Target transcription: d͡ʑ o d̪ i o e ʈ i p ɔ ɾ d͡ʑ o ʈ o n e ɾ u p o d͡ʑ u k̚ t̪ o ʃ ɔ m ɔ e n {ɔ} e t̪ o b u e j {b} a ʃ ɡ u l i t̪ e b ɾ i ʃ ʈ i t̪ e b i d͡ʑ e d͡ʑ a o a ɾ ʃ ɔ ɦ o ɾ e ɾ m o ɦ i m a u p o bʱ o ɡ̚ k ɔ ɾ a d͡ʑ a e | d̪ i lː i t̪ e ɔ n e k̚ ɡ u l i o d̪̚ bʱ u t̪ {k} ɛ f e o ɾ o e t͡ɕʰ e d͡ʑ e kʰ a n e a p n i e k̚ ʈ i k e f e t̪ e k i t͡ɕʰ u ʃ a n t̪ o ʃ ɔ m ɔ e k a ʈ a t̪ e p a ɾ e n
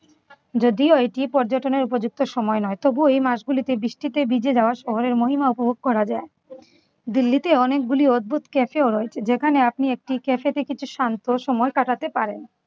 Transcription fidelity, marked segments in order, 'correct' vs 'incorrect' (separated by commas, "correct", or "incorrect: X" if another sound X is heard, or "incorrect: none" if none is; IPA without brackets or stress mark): correct, incorrect: m, correct